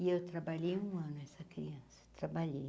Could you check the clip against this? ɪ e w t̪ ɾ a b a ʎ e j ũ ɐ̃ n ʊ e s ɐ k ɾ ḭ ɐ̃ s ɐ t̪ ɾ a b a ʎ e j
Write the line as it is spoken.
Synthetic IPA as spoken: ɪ e w t̪ ɾ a b a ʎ e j ũ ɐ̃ n ʊ ɛ s ɐ k ɾ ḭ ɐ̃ s ɐ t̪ ɾ a b a ʎ e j